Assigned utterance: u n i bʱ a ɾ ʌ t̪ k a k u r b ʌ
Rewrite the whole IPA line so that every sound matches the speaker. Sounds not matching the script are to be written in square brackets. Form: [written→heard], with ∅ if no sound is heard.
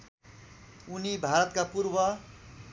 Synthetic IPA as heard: u n i bʱ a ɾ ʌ t̪ k a [k→p] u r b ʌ